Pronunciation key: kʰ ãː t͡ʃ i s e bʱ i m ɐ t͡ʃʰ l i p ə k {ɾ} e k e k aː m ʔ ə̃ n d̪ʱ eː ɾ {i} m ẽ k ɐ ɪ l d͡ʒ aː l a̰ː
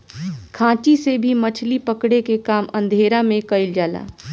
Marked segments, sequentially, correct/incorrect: incorrect, incorrect

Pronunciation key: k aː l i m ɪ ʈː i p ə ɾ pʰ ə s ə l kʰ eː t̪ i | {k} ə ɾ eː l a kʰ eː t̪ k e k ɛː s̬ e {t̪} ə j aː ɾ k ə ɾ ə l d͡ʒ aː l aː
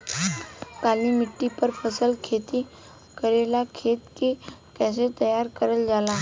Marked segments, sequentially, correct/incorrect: correct, correct

